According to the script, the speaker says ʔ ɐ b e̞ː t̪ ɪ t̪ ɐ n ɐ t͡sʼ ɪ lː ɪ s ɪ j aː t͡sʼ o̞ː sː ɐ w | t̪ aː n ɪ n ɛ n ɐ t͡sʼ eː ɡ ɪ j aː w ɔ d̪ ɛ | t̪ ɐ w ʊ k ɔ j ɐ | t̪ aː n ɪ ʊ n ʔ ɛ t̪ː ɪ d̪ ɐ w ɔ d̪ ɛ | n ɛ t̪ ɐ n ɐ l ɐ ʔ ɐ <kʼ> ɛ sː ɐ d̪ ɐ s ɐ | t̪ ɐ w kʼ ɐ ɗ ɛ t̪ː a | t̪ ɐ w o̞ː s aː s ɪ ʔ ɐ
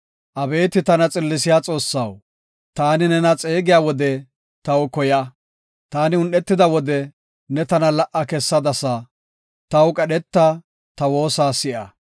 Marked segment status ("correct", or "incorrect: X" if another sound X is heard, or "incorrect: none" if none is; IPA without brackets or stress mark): incorrect: k